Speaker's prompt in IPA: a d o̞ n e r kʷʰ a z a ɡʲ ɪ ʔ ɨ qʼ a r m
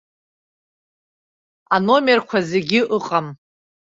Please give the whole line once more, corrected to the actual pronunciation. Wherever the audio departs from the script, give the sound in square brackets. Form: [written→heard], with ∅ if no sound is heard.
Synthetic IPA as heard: a [d→n] o̞ [n→m] e r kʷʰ a z [a→e] ɡʲ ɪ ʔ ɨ qʼ a [r→∅] m

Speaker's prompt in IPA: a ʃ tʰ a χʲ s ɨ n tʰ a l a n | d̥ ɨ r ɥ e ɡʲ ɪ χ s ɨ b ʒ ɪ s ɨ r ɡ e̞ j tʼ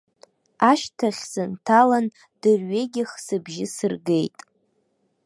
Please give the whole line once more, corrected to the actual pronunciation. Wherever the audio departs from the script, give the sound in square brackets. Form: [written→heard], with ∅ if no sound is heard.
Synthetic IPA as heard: a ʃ tʰ a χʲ s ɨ n tʰ a l a n | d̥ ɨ r ɥ e ɡʲ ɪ χ s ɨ b ʒ ɪ s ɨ r ɡ e̞ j tʼ

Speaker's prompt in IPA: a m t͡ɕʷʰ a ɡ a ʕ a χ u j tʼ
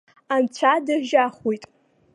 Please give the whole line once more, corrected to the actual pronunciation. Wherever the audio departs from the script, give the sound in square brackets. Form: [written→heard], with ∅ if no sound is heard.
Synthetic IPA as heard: a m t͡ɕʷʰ a [ɡ→d] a [ʕ→ʒ] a χ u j tʼ

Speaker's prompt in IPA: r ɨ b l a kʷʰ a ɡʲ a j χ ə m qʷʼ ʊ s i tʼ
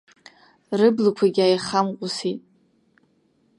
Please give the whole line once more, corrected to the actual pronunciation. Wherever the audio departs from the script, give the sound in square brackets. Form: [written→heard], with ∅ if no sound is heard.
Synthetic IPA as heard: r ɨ b l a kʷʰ a ɡʲ a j χ [ə→a] m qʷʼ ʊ s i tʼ

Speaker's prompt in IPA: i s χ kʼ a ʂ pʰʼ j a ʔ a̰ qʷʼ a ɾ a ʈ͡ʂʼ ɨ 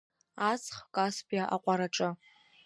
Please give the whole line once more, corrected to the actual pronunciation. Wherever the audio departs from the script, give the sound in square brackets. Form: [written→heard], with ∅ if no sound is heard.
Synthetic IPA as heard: [i→a] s χ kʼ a [ʂ→s] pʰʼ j a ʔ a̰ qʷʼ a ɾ a ʈ͡ʂʼ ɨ

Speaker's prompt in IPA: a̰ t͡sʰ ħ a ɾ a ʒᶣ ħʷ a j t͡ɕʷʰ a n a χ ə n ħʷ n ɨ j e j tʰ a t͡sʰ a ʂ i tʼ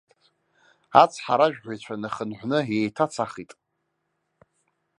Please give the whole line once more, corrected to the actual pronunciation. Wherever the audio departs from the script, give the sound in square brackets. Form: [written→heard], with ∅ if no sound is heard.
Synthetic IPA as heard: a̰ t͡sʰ ħ a ɾ a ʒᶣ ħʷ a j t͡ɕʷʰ a n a χ ə n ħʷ n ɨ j e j tʰ a t͡sʰ a [ʂ→χ] i tʼ

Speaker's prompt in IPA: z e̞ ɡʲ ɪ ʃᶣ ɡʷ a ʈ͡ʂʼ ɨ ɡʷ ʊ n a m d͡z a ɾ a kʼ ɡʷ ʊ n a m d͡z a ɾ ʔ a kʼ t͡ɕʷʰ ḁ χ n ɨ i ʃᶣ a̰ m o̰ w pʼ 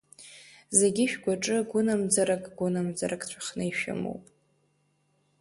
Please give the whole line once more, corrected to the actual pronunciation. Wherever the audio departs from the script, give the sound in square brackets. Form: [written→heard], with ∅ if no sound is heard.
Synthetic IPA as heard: z e̞ ɡʲ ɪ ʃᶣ ɡʷ a ʈ͡ʂʼ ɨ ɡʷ ʊ n a m d͡z a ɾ a kʼ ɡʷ ʊ n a m d͡z a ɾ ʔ a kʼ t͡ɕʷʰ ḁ χ n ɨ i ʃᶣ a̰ m o̰ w pʼ

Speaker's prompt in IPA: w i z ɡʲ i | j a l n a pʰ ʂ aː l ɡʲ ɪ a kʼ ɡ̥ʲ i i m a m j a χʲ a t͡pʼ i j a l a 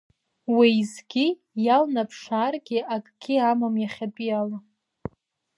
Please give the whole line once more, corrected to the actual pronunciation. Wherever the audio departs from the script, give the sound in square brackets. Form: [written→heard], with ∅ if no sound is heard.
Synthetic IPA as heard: w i z ɡʲ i | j a l n a pʰ ʂ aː [l→r] ɡʲ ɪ a kʼ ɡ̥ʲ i [i→a] m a m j a χʲ a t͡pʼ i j a l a

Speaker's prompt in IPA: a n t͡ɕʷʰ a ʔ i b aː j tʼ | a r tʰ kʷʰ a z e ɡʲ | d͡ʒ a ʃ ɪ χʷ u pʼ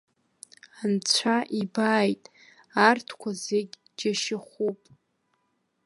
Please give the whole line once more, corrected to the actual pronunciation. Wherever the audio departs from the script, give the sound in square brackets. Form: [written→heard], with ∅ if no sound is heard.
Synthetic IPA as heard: a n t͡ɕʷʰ a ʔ i b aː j tʼ | a r tʰ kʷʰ a z e ɡʲ | d͡ʒ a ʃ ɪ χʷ u pʼ

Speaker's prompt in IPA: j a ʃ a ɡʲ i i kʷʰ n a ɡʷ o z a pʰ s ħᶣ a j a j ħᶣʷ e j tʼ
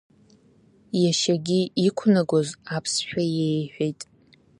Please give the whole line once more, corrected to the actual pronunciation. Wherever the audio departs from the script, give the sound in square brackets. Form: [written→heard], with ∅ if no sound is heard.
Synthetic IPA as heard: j a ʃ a ɡʲ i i kʷʰ n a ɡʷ o z a pʰ s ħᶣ a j [a→e] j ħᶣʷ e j tʼ

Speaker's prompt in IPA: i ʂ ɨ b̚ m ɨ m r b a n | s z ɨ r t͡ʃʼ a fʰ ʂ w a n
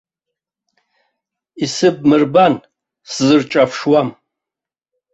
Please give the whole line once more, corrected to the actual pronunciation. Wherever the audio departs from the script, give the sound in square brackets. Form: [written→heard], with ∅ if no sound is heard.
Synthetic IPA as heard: i [ʂ→s] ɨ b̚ m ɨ [m→∅] r b a n | s z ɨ r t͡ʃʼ a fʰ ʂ w a [n→m]

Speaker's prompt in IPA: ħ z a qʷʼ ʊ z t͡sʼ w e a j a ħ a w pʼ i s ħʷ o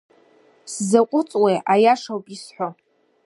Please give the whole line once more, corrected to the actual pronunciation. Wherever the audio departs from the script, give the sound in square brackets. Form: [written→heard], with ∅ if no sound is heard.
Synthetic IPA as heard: [ħ→s] z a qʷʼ ʊ [z→∅] t͡sʼ w e a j a [ħ→ʂ] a w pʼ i s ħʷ o

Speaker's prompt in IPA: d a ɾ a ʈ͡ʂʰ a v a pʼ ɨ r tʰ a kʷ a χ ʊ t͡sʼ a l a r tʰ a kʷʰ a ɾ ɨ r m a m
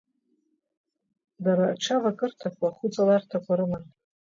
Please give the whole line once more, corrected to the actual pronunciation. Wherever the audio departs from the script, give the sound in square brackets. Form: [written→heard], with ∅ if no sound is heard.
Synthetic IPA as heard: d a ɾ a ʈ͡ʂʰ a v a [pʼ→kʼ] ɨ r tʰ a kʷ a χ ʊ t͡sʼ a l a r tʰ a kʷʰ a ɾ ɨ [r→∅] m a [m→n]

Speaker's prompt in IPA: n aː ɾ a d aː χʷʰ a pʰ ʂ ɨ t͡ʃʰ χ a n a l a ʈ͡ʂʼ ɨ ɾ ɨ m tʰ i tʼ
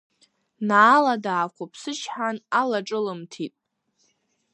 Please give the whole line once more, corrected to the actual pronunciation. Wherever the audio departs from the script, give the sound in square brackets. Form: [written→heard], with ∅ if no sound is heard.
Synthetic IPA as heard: n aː [ɾ→l] a d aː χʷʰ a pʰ [ʂ→s] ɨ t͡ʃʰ [χ→ħ] a n a l a ʈ͡ʂʼ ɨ [ɾ→l] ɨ m tʰ i tʼ

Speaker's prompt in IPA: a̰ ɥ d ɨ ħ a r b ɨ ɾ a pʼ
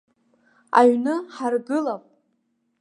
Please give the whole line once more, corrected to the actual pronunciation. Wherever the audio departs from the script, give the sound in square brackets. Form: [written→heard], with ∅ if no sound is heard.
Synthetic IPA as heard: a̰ ɥ [d→n] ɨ ħ a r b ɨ [ɾ→l] a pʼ

